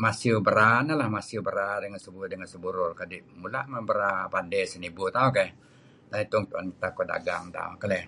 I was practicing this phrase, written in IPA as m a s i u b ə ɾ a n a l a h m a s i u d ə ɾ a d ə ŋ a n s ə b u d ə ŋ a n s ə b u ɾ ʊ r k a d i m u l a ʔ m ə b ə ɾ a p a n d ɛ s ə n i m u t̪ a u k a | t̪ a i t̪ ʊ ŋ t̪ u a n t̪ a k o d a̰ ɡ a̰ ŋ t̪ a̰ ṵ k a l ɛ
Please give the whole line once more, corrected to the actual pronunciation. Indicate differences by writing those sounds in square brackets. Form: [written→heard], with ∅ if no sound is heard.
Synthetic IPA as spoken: m a s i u b ə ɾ a n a l a h m a s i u [d→b] ə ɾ a d ə ŋ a n s ə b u d ə ŋ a n s ə b u ɾ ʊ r k a d i m u l a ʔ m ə b ə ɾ a p a n d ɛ s ə n i [m→b] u t̪ a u k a | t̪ a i t̪ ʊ ŋ t̪ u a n t̪ a k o d a̰ ɡ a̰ ŋ t̪ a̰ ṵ k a l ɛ